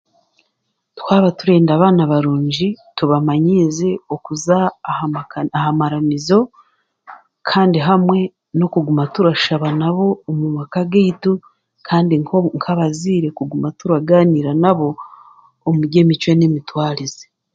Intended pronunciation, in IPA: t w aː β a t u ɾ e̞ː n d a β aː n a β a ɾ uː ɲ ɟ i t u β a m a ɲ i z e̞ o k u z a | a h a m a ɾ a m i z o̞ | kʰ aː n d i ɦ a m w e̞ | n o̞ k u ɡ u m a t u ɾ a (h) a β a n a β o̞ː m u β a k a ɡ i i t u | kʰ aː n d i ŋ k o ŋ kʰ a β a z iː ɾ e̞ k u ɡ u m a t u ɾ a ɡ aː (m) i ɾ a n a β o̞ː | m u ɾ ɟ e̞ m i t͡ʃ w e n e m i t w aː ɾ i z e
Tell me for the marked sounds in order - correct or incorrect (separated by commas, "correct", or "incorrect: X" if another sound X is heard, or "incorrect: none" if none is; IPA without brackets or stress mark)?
incorrect: ʃ, incorrect: n